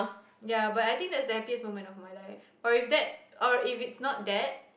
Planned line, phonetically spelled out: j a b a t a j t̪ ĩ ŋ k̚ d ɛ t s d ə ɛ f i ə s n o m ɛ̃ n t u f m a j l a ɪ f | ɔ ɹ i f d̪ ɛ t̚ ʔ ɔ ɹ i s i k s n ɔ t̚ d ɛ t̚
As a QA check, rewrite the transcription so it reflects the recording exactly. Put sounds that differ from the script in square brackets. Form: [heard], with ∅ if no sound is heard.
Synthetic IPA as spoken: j a b a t a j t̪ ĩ ŋ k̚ d ɛ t s d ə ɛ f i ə s [m] o m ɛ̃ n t [ɔ] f m a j l a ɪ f | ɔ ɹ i f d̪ ɛ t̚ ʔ ɔ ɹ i [f] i [t] s n ɔ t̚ d ɛ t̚